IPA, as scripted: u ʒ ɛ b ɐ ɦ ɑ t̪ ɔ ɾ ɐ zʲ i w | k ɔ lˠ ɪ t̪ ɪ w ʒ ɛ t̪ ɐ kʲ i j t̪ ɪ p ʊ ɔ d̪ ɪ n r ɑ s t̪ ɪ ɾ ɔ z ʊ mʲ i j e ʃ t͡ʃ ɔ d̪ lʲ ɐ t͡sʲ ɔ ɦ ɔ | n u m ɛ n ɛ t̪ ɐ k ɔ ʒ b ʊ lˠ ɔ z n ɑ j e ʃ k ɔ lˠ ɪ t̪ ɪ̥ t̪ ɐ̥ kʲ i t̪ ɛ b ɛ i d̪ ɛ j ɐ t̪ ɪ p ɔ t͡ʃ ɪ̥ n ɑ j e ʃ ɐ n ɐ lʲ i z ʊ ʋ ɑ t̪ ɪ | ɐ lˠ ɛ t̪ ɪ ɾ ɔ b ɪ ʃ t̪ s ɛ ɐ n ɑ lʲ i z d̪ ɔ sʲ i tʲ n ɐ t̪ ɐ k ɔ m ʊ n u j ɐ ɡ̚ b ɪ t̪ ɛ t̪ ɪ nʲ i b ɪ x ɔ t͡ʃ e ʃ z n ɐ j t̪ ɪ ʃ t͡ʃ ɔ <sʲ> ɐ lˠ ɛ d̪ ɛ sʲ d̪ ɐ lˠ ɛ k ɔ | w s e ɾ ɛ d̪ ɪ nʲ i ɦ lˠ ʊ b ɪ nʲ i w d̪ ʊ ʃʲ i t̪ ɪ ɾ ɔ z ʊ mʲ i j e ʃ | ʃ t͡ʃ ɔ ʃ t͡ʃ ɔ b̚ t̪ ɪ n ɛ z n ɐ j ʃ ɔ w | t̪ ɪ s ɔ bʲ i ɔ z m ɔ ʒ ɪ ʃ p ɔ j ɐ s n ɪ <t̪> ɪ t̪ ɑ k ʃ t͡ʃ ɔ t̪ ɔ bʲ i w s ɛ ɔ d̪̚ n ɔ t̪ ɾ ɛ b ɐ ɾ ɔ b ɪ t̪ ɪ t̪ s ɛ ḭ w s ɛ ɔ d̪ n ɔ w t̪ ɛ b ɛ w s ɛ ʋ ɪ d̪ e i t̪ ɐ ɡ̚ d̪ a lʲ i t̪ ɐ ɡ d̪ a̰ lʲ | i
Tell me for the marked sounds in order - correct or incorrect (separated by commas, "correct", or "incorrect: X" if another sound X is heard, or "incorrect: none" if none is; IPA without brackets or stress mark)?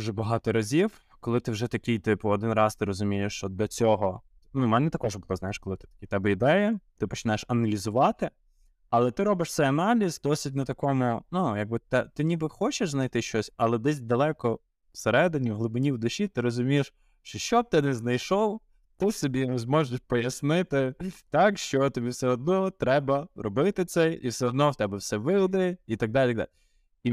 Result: correct, correct